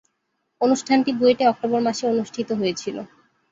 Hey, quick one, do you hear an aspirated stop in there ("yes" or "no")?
yes